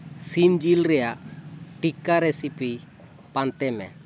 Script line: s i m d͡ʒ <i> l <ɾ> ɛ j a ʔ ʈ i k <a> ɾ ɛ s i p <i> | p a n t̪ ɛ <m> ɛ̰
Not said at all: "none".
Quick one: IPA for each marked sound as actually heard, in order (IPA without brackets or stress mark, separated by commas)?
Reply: i, ɾ, a, i, m